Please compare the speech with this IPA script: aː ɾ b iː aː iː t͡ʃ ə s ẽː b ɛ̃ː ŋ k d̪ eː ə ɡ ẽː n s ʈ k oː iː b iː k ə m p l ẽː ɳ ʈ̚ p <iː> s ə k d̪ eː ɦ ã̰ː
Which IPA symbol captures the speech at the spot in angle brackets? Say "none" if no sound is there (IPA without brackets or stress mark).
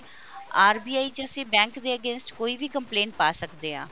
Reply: aː